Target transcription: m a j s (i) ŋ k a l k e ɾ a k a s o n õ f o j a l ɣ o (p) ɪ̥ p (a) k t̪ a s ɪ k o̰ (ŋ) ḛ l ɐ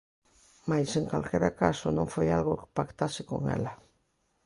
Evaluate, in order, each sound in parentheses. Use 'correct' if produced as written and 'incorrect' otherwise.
incorrect: e, incorrect: k, correct, correct

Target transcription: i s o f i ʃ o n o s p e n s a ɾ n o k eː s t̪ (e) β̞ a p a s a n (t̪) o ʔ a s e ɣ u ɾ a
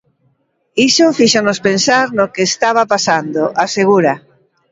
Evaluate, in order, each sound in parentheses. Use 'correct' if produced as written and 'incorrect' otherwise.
incorrect: a, incorrect: d̪

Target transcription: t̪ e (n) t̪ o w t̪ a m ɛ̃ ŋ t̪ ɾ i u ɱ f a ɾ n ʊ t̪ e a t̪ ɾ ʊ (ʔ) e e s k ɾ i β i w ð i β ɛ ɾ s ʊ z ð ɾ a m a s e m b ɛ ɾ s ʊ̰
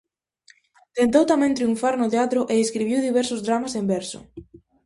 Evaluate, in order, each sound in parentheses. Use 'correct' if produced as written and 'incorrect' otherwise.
correct, correct

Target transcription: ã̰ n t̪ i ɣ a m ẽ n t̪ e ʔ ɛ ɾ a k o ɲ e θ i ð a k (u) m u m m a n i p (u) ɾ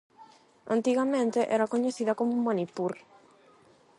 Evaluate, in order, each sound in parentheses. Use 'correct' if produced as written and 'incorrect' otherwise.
incorrect: o, correct

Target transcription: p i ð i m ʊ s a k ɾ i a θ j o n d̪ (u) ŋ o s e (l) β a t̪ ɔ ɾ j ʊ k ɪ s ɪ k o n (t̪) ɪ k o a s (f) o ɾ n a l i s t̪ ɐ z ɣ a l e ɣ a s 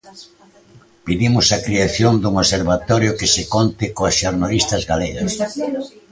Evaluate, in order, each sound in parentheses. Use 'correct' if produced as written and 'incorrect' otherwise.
correct, incorrect: ɾ, correct, incorrect: ʃ

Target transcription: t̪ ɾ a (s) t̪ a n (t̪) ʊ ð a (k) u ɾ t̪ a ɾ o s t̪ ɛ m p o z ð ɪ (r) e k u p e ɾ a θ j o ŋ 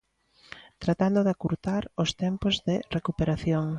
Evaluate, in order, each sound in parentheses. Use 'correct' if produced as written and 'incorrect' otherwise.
incorrect: none, incorrect: d̪, correct, correct

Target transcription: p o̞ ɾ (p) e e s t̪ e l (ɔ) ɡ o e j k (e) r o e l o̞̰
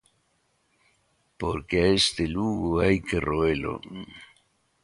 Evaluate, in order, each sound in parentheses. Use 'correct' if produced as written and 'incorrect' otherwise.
incorrect: k, incorrect: u, correct

